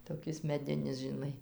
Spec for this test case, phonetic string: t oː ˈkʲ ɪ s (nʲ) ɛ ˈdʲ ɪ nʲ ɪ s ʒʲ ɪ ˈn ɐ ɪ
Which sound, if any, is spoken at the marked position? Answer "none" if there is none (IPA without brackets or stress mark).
mʲ